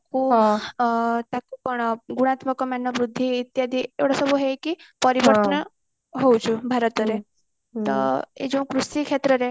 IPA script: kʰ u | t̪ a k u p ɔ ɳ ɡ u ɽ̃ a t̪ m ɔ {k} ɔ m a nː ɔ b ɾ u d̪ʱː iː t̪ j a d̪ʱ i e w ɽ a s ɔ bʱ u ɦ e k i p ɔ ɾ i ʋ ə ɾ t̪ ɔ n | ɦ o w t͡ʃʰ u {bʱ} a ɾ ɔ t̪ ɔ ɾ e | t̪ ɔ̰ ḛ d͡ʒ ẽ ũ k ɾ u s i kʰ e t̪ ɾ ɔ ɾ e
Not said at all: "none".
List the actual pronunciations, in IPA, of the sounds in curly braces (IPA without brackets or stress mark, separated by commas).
k, bʱ